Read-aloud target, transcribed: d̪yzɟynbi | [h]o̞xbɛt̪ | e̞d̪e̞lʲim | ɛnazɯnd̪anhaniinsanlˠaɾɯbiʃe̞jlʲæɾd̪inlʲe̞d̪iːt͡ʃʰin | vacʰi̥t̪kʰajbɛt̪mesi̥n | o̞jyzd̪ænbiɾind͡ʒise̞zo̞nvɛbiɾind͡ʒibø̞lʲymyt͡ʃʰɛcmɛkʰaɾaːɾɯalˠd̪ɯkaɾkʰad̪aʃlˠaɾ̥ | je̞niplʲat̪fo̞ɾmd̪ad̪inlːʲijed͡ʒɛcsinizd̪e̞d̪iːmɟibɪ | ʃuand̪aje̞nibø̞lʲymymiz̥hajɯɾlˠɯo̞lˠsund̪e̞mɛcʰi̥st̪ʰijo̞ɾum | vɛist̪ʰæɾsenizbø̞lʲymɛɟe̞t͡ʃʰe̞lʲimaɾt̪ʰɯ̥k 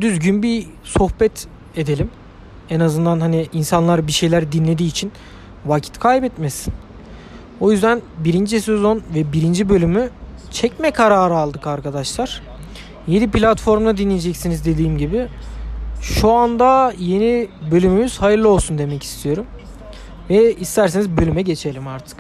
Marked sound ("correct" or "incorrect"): incorrect